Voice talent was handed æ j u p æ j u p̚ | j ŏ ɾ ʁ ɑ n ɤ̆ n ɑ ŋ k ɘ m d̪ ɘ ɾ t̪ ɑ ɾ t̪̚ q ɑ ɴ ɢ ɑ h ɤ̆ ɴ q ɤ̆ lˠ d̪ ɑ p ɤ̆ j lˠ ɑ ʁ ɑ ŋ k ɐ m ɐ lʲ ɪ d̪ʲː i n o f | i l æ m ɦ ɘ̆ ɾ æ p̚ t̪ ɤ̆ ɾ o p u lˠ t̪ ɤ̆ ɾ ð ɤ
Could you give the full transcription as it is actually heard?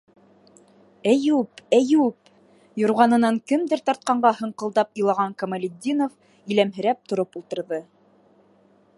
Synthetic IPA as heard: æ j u p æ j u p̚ | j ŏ ɾ ʁ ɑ n ɤ̆ n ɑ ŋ k ɘ m d̪ ɘ ɾ t̪ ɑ ɾ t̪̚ q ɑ ɴ ɢ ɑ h ɤ̆ ɴ q ɤ̆ lˠ d̪ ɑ p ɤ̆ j lˠ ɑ ʁ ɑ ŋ k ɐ m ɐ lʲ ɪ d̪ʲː i n o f | i l æ m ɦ ɘ̆ ɾ æ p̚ t̪ ŏ ɾ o p u lˠ t̪ ɤ̆ ɾ ð ɤ